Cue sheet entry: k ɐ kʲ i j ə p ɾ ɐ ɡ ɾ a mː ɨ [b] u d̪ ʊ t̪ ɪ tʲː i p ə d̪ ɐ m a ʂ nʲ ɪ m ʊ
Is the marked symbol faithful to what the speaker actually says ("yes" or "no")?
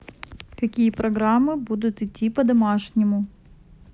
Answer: yes